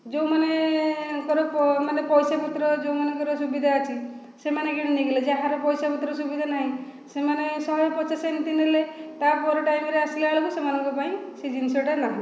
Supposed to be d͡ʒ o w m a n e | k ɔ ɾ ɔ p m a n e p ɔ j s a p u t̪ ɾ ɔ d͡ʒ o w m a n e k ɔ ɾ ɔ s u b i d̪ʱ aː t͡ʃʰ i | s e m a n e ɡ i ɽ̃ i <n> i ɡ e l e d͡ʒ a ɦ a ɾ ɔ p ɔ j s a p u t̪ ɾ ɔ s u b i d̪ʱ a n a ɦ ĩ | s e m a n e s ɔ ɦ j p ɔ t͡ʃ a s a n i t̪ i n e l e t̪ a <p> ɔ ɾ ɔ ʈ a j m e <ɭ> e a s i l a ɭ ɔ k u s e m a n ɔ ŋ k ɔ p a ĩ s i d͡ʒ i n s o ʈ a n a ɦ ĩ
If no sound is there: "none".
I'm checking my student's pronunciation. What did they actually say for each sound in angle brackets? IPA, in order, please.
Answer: n, p, ɾ

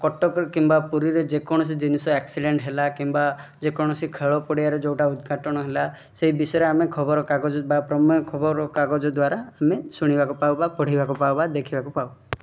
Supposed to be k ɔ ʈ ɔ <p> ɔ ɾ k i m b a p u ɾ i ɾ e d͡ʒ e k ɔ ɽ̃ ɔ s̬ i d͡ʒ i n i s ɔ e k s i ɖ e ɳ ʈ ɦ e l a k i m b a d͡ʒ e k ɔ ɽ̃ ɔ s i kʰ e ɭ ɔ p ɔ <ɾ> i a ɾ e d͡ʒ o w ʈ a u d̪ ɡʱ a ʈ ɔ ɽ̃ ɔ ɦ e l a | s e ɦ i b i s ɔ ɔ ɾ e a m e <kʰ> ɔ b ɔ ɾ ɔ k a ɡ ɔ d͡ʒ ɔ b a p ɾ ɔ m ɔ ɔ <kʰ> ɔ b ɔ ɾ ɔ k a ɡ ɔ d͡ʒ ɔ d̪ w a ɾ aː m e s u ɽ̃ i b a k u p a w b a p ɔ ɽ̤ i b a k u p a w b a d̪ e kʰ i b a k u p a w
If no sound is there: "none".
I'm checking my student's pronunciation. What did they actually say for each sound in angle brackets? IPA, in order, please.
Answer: k, ɽ, kʰ, kʰ

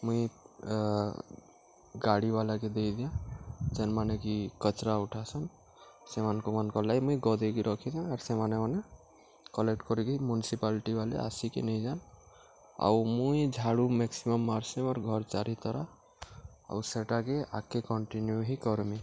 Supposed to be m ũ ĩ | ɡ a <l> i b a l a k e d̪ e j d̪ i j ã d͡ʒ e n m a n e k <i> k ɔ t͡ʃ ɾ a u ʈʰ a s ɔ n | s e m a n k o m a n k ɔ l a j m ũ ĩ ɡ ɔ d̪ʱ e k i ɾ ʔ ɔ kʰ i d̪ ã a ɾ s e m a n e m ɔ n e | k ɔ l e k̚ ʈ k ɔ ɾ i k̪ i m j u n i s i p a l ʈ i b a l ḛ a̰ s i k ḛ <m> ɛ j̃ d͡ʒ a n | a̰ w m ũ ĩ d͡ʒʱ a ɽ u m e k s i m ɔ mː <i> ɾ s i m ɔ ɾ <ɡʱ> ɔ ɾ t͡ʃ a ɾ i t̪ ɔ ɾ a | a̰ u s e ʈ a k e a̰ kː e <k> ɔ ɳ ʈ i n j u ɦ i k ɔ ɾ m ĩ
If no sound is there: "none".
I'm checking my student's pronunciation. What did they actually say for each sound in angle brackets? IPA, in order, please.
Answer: ɽ, i, n, a, ɡʱ, k

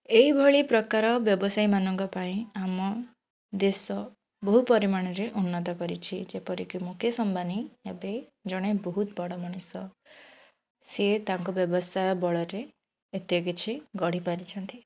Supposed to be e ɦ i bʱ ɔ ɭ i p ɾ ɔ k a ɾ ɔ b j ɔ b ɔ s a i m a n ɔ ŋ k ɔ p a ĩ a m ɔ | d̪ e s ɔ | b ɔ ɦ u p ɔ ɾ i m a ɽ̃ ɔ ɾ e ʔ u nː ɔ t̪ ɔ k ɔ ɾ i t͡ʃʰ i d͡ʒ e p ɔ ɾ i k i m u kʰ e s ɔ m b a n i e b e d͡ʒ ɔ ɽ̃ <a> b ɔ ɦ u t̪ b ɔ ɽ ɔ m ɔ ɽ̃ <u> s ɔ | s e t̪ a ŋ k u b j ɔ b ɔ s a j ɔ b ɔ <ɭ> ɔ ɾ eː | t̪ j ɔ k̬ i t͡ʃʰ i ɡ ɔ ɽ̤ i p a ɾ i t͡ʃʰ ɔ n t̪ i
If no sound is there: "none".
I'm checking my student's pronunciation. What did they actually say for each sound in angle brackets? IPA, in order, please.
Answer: e, u, ɭ

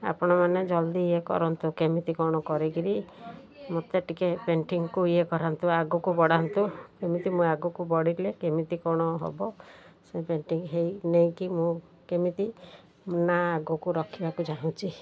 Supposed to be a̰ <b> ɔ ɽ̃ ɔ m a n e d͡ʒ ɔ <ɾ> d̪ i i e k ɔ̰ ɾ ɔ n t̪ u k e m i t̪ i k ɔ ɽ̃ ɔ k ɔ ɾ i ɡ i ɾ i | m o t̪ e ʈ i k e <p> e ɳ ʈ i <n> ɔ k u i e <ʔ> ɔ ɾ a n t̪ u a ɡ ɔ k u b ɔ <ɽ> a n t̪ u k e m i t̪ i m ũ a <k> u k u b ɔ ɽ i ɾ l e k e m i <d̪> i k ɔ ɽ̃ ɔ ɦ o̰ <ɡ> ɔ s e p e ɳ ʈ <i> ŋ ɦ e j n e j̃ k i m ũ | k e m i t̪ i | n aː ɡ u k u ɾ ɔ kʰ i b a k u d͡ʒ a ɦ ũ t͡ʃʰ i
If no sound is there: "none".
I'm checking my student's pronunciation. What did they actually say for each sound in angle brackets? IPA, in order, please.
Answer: p, l, p, ŋ, k, ɽ, ɡ, t̪, b, i

